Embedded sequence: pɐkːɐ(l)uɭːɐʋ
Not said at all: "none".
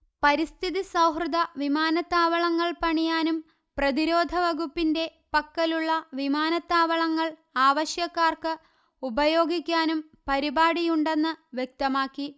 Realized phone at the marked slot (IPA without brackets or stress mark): l